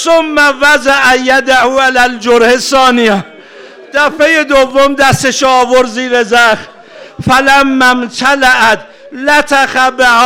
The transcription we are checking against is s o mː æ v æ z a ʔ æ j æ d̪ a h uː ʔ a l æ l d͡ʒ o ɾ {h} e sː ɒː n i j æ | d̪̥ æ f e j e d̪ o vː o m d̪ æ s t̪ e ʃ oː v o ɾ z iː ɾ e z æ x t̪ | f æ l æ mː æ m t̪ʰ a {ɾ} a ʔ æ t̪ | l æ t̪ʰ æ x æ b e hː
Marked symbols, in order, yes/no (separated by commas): yes, no